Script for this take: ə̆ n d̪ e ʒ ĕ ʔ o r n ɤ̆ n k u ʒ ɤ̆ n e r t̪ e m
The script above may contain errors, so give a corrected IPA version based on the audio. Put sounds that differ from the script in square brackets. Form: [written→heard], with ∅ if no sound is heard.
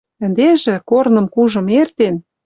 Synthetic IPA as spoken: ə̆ n d̪ e ʒ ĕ [ʔ→k] o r n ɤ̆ [n→m] k u ʒ ɤ̆ [n→m] e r t̪ e [m→n]